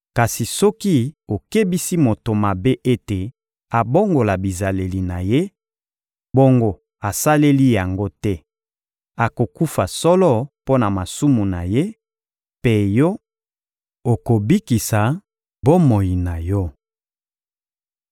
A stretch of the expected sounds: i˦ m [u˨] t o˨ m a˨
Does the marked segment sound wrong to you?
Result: yes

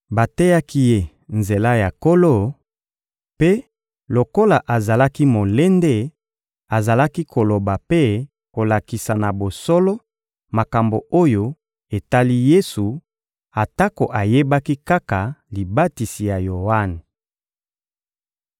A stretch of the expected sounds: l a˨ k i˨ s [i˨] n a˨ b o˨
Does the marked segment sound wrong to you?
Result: yes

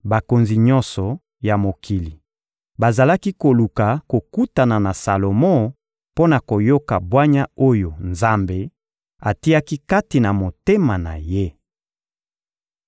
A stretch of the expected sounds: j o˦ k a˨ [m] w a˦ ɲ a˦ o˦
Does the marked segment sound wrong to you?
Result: yes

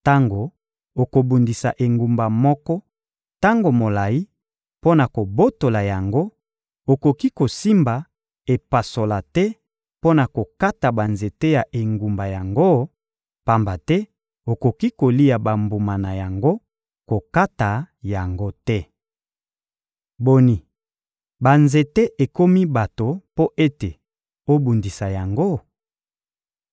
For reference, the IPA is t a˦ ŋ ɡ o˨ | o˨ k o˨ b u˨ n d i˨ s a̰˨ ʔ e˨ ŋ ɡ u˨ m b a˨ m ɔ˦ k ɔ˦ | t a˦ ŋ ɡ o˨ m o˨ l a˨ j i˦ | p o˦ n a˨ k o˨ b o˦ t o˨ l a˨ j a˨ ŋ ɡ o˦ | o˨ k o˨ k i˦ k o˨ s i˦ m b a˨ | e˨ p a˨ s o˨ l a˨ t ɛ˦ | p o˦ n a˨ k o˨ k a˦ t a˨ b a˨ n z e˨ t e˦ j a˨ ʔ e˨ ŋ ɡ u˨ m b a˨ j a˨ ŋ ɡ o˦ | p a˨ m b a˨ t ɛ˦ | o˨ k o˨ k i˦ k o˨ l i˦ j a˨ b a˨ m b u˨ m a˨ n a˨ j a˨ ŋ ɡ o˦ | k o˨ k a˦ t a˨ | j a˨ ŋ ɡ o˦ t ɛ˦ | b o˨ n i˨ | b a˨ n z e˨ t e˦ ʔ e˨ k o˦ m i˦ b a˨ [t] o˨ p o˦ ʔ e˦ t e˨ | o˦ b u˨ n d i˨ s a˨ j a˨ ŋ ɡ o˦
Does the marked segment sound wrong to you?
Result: no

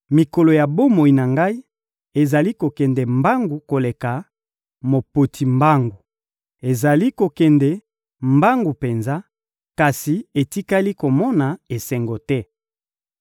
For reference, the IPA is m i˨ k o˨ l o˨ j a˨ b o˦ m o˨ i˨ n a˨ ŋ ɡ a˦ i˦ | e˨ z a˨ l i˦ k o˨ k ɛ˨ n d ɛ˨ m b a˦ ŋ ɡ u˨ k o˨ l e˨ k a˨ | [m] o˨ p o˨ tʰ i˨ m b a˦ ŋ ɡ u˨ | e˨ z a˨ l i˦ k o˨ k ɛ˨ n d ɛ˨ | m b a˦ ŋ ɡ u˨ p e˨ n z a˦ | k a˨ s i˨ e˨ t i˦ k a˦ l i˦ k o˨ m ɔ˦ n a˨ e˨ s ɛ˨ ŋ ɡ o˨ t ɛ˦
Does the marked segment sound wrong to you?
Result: no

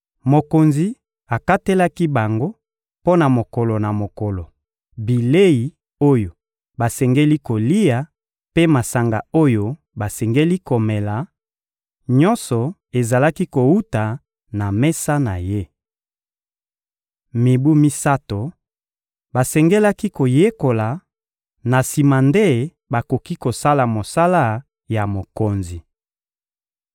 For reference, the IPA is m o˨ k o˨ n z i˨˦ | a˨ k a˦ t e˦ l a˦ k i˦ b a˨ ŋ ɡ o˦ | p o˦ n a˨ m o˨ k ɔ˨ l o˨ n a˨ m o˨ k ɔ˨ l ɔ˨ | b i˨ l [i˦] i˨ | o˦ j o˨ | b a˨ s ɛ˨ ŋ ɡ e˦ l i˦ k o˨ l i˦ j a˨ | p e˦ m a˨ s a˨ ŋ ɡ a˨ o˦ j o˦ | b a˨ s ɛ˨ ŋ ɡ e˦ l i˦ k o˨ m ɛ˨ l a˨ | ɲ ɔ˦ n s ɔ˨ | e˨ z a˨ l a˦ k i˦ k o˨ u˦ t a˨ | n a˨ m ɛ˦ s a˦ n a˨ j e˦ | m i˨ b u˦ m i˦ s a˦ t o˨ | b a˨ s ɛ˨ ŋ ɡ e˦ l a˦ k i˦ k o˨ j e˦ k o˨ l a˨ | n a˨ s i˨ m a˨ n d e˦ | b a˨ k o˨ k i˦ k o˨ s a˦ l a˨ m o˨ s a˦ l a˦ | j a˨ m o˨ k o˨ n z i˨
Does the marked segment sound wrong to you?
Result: yes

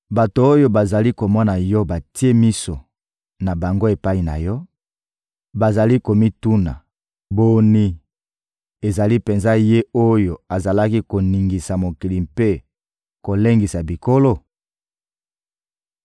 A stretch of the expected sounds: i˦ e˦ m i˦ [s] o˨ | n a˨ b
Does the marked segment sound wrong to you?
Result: no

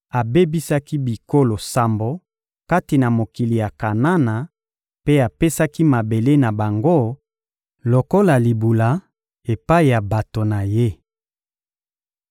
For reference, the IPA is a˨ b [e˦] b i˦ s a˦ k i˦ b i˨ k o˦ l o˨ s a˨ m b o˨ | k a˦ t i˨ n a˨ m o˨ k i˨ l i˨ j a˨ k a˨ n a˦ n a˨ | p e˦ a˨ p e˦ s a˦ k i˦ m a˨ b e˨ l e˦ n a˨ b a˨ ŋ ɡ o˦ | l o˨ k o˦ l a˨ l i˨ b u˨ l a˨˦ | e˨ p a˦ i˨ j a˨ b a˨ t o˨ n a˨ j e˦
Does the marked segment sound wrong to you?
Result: no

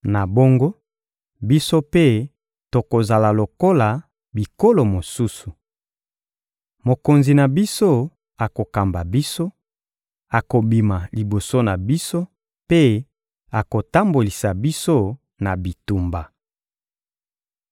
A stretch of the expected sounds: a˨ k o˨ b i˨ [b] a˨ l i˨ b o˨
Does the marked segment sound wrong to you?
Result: yes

